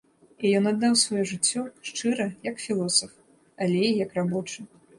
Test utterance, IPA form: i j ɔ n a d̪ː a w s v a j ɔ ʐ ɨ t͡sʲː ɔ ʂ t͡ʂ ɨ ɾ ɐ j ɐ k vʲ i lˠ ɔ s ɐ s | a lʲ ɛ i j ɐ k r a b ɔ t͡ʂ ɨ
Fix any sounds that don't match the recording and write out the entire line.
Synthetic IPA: i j ɔ n a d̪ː a w s v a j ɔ ʐ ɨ t͡sʲː ɔ ʂ t͡ʂ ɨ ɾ ɐ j ɐ k fʲ i lˠ ɔ s ɐ f | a lʲ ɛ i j ɐ k r a b ɔ t͡ʂ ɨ